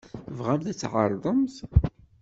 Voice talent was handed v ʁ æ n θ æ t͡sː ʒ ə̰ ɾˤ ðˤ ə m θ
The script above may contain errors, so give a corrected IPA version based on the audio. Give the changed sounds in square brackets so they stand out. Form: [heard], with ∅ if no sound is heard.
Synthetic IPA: v ʁ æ [m] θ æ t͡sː [ʕ] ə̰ ɾˤ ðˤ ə m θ